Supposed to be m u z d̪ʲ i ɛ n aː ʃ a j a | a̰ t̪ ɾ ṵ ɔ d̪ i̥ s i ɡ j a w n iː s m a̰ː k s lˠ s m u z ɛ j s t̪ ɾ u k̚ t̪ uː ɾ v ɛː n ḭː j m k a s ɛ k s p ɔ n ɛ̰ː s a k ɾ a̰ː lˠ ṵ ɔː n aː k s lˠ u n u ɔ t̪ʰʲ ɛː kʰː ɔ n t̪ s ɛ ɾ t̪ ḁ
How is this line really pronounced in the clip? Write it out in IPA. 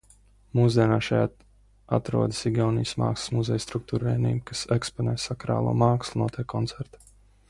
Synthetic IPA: m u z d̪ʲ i ɛ n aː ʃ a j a | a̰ t̪ ɾ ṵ ɔ d̪ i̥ s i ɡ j a w n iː s m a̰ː k s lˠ s m u z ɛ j s t̪ ɾ u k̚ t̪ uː ɾ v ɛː n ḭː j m k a s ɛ k s p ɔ n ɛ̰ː s a k ɾ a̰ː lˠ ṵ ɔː m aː k s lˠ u n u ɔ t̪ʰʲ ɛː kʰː ɔ n t̪ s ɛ ɾ t̪ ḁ